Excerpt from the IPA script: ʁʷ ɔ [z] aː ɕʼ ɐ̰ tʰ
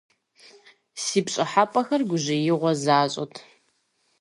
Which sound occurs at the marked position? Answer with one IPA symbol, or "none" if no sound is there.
z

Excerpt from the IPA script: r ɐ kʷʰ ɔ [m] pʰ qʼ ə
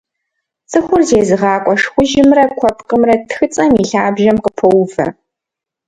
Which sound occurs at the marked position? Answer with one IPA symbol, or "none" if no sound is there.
none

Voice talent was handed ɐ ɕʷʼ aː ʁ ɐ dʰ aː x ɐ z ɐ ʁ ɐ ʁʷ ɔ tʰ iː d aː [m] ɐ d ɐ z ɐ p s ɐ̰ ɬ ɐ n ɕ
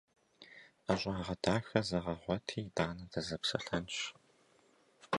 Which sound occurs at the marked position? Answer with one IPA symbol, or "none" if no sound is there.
n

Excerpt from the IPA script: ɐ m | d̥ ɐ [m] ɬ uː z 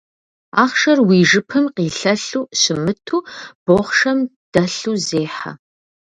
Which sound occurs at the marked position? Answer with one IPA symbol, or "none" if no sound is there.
none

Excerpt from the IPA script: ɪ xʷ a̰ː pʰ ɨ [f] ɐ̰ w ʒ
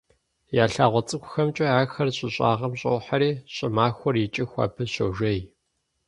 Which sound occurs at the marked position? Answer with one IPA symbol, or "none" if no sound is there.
ɕ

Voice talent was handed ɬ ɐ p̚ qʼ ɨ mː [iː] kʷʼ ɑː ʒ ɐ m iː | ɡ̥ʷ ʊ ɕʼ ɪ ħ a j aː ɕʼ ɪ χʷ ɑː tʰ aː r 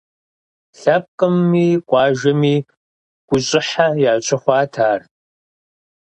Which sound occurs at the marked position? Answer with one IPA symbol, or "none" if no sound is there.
iː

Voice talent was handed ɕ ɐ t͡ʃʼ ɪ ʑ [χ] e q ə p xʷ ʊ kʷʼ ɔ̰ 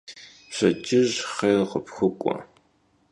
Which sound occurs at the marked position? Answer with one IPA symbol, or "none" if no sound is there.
χ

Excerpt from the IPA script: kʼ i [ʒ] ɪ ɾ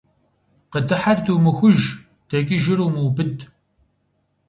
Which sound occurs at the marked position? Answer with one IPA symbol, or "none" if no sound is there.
ʒ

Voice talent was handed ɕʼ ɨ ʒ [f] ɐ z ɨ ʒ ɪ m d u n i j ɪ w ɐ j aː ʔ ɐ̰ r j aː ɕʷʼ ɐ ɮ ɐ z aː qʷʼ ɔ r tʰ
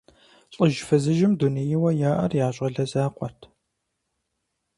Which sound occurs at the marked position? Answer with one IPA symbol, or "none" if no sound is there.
f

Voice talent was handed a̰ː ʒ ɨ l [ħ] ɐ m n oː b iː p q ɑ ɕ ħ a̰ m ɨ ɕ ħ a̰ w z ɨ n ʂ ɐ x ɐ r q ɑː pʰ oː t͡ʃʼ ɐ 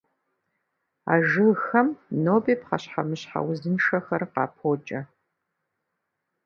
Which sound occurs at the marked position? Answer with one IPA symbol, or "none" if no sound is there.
x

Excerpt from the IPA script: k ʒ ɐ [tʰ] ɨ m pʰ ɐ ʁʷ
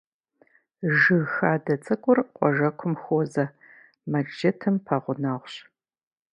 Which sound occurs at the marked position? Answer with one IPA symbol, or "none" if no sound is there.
tʰ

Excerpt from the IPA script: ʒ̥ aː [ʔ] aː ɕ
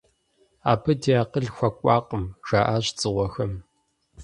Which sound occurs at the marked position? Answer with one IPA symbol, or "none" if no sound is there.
ʔ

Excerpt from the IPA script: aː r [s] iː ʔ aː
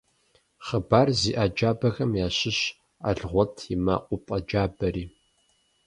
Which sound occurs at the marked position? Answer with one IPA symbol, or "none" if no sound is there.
z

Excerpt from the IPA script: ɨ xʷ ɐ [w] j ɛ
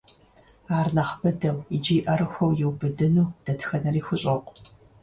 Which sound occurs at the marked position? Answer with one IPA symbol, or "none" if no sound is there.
w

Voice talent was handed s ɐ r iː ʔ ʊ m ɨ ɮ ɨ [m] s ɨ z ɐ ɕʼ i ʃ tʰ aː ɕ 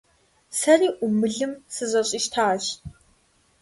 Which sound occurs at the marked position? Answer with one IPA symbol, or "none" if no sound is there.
m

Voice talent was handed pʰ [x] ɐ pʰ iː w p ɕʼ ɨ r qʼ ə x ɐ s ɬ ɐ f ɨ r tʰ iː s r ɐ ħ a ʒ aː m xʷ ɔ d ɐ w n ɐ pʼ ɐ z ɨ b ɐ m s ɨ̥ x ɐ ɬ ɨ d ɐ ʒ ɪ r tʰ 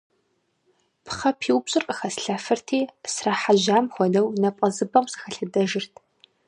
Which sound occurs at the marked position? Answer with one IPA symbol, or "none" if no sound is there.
χ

